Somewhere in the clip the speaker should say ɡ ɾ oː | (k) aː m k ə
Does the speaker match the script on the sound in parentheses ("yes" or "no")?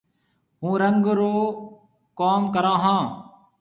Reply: yes